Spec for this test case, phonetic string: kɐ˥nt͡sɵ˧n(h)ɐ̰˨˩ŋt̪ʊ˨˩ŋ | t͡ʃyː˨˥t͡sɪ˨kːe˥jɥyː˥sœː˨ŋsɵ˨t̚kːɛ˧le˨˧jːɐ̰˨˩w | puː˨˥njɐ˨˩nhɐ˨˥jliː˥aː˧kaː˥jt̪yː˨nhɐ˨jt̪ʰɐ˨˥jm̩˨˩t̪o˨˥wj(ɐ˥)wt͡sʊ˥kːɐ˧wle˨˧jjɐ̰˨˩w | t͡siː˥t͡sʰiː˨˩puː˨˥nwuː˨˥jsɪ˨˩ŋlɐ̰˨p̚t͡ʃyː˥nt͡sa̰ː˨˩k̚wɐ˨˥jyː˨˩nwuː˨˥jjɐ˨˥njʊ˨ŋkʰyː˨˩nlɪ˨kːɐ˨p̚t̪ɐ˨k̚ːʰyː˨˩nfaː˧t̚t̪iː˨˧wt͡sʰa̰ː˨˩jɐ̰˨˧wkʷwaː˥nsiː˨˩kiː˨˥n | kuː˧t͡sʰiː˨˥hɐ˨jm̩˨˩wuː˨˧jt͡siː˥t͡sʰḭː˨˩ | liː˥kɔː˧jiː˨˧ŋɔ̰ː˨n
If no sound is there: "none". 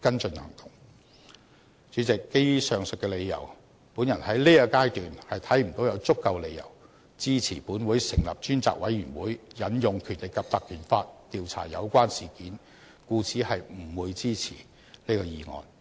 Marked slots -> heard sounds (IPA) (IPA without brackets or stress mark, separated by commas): h, ɐ˨˧